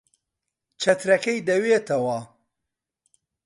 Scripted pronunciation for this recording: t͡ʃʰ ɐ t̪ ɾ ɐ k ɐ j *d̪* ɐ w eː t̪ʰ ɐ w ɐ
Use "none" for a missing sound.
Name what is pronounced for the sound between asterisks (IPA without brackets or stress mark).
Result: d̪